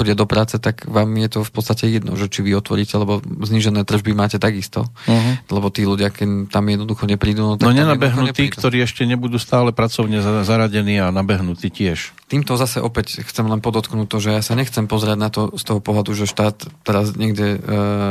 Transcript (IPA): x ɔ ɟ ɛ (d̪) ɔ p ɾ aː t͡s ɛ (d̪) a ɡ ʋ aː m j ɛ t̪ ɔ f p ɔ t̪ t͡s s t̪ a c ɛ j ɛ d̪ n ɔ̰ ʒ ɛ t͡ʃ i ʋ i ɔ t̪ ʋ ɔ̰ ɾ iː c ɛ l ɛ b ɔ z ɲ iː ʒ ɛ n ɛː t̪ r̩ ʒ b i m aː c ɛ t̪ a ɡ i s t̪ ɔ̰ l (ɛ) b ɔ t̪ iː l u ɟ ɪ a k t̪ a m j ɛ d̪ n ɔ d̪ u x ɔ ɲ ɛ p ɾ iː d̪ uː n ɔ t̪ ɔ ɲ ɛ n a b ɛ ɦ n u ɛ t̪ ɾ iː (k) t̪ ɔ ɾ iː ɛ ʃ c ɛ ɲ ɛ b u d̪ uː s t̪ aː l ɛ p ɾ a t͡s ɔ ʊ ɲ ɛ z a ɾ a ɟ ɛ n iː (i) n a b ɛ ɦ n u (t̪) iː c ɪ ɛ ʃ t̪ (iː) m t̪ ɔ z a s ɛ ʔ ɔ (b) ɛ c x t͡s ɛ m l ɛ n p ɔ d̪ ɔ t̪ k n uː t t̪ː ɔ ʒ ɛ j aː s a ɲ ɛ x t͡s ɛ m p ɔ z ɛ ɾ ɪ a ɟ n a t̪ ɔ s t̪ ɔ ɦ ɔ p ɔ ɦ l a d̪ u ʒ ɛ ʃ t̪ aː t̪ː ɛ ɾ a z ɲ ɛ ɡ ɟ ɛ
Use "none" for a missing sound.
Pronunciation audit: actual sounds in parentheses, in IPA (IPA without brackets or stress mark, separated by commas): d̪, t̪, ɛ, k, a, t̪, iː, p